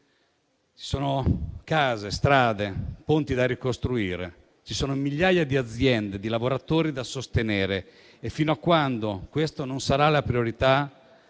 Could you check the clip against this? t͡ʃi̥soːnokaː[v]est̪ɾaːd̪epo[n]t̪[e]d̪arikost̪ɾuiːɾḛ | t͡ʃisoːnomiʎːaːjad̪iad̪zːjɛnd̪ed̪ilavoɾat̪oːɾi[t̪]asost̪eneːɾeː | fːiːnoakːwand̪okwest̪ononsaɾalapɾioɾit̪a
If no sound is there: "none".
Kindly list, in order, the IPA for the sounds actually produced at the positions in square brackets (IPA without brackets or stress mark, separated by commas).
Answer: z, n, i, d̪